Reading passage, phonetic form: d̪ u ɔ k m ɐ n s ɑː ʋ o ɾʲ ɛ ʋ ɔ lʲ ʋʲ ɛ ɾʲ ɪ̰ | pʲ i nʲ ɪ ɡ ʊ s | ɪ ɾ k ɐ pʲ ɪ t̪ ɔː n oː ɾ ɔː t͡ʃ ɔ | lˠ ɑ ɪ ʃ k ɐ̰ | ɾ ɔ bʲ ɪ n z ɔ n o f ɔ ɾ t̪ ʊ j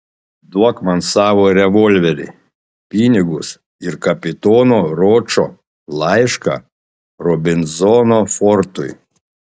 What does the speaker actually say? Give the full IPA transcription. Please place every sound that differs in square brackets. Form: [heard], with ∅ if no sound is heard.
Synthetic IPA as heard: d̪ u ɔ k m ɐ n s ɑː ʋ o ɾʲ ɛ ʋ ɔ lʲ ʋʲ ɛ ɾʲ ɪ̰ | pʲ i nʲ ɪ ɡ ʊ s | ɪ ɾ k ɐ pʲ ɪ t̪ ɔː n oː ɾ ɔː t͡ʃ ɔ | lˠ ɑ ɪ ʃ k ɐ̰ | ɾ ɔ bʲ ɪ n z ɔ n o f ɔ ɾ t̪ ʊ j